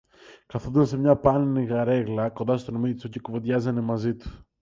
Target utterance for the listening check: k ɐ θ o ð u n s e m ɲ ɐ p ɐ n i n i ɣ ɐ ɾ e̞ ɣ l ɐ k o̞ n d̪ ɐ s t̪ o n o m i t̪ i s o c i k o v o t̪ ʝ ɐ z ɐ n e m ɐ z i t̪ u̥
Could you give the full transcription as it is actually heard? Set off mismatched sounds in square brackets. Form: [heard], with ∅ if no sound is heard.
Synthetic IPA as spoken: k ɐ θ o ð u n s e m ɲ ɐ p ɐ n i n i ɣ ɐ ɾ e̞ ɣ l ɐ k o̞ n d̪ ɐ s t̪ o n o m i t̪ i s o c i k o v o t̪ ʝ ɐ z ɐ n e m ɐ z i t̪ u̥